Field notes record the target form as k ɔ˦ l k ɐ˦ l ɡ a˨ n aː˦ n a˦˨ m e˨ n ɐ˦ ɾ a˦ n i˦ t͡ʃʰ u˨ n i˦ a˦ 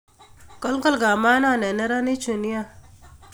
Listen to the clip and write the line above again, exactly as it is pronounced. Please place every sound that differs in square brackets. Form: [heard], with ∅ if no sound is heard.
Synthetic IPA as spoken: k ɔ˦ l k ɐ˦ l ɡ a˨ [m] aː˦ n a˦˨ [n] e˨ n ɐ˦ ɾ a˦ n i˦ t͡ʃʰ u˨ n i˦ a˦